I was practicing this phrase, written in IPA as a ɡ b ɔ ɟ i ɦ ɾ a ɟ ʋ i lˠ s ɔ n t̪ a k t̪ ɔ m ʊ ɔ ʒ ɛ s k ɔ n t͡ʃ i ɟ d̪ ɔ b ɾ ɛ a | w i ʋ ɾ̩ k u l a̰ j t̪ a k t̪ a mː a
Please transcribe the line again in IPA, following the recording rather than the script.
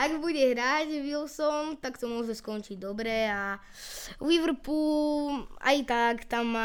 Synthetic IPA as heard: a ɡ b u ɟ ɛ ɦ ɾ a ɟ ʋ i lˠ s ɔ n t̪ a k t̪ ɔ m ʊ ɔ ʒ ɛ s k ɔ n t͡ʃ i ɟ d̪ ɔ b ɾ ɛ a | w i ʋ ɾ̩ p u l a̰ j t̪ a k t̪ a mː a